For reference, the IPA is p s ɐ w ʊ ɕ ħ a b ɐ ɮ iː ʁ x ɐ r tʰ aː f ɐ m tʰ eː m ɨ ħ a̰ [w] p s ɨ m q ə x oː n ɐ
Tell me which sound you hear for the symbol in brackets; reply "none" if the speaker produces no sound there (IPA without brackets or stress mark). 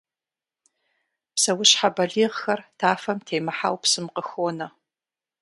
w